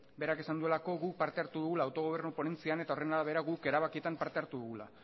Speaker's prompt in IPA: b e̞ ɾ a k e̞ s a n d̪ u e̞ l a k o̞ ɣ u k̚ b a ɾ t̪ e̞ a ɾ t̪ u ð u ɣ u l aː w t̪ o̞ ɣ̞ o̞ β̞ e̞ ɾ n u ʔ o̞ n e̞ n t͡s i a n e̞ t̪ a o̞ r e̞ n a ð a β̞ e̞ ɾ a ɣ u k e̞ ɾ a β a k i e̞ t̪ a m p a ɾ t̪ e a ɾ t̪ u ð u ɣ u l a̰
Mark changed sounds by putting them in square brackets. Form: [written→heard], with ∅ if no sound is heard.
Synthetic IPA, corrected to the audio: b e̞ ɾ a k e̞ s a n d̪ u e̞ l a k o̞ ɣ u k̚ [b→p] a ɾ t̪ e̞ a ɾ t̪ u ð u ɣ u l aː w t̪ o̞ ɣ̞ o̞ β̞ e̞ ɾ n u [ʔ→p] o̞ n e̞ n t͡s i a n e̞ t̪ a o̞ r e̞ n a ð a β̞ e̞ ɾ a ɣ u k e̞ ɾ a β a k i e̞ t̪ a m p a ɾ t̪ e a ɾ t̪ u ð u ɣ u l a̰

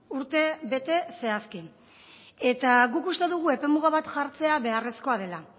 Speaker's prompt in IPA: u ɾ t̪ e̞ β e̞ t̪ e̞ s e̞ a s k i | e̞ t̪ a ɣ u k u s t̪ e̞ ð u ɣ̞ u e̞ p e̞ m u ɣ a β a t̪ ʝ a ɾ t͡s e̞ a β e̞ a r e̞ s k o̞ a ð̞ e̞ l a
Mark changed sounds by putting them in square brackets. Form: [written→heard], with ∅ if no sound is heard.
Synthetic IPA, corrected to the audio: u ɾ t̪ e̞ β e̞ t̪ e̞ s e̞ a s k i | e̞ t̪ a ɣ u k u s t̪ e̞ ð u ɣ̞ u e̞ p e̞ m u ɣ a β a t̪ ʝ a ɾ t͡s e̞ a β e̞ a r e̞ s k o̞ a ð̞ e̞ l a

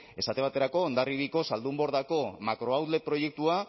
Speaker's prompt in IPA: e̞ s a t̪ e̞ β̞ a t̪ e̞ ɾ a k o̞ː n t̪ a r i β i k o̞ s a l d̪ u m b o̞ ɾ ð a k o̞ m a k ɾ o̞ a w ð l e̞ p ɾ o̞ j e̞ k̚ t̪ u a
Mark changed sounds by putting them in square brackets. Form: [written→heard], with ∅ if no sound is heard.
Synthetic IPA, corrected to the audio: e̞ s a t̪ e̞ β̞ a t̪ e̞ ɾ a k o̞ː n [t̪→d̪] a r i β i k o̞ s a l d̪ u m b o̞ ɾ ð a k o̞ m a k ɾ o̞ a w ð l e̞ p ɾ o̞ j e̞ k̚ t̪ u a

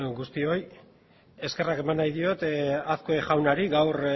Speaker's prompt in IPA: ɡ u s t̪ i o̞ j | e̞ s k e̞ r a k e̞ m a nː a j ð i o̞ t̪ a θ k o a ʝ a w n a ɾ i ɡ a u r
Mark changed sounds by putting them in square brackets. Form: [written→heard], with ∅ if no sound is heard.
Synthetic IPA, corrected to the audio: ɡ u s t̪ i o̞ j | e̞ s k e̞ r a k e̞ m a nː a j ð i o̞ t̪ a θ k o [a→e] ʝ a w n a ɾ i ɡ a [u→w] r

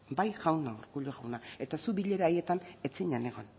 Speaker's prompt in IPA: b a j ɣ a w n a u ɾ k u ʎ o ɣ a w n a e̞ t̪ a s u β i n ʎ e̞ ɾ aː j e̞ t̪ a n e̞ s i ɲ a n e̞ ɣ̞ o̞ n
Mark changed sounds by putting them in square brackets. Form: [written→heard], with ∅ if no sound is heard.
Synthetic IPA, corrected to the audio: b a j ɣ a w n a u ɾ k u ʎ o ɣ a w n a e̞ t̪ a s u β i [n→∅] ʎ e̞ ɾ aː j e̞ t̪ a n e̞ [s→t͡s] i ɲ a n e̞ ɣ̞ o̞ n

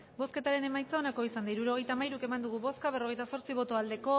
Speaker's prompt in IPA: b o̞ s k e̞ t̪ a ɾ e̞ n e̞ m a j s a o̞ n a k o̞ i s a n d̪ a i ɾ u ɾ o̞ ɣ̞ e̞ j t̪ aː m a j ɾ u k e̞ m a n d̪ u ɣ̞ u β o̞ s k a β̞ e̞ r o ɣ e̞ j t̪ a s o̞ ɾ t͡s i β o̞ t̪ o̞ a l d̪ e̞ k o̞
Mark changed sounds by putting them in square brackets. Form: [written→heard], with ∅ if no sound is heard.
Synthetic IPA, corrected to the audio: b o̞ s k e̞ t̪ a ɾ e̞ n e̞ m a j [s→t͡s] a o̞ n a k o̞ i s a n d̪ a i ɾ u ɾ o̞ ɣ̞ e̞ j t̪ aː m a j ɾ u k e̞ m a n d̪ u ɣ̞ u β o̞ s k a β̞ e̞ r o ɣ e̞ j t̪ a s o̞ ɾ t͡s i β o̞ t̪ o̞ a l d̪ e̞ k o̞

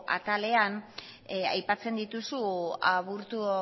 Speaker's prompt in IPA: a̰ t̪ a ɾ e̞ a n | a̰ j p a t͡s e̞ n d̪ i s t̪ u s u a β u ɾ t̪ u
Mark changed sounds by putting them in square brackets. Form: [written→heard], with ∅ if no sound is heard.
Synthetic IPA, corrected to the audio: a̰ t̪ a [ɾ→l] e̞ a n | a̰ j p a t͡s e̞ n d̪ i [s→∅] t̪ u s u a β u ɾ t̪ u

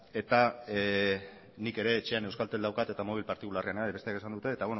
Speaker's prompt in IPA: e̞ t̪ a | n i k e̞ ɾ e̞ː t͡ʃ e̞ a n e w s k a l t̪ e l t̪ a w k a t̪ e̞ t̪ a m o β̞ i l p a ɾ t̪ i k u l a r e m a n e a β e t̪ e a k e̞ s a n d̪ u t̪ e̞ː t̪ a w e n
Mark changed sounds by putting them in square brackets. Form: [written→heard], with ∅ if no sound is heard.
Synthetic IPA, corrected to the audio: e̞ t̪ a | n i k e̞ ɾ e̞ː t͡ʃ e̞ a n e w s k a l t̪ e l [t̪→d̪] a w k a t̪ e̞ t̪ a m o β̞ i l p a ɾ t̪ i k u l a r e [m→∅] a n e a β e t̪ e a k e̞ s a n d̪ u t̪ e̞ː t̪ a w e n

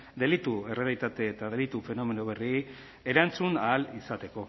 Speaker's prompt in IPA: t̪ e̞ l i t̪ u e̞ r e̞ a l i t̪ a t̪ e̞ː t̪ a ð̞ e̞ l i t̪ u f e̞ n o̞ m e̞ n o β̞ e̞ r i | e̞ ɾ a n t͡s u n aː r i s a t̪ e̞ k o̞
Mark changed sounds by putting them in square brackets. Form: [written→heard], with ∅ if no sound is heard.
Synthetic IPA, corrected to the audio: [t̪→d̪] e̞ l i t̪ u e̞ r e̞ a l i t̪ a t̪ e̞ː t̪ a ð̞ e̞ l i t̪ u f e̞ n o̞ m e̞ n o β̞ e̞ r i | e̞ ɾ a n t͡s u n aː [r→l] i s a t̪ e̞ k o̞

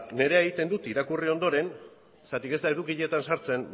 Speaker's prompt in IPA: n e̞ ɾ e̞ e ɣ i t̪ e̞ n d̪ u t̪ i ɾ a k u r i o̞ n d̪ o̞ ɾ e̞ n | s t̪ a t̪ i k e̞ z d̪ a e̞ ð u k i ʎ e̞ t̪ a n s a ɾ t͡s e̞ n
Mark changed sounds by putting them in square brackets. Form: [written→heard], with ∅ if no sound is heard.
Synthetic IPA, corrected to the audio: n e̞ ɾ e̞ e ɣ i t̪ e̞ n d̪ u t̪ i ɾ a k u r i o̞ n d̪ o̞ ɾ e̞ n | s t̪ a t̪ i k e̞ z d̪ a e̞ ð u k i ʎ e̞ t̪ a n s a ɾ t͡s e̞ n

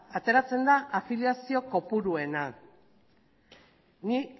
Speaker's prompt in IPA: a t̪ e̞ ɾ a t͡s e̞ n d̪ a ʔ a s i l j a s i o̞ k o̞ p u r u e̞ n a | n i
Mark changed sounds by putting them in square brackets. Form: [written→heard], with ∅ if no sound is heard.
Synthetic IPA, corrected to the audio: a t̪ e̞ ɾ a t͡s e̞ n d̪ a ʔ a [s→f] i l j a s i o̞ k o̞ p u [r→ɾ] u e̞ n a | n i

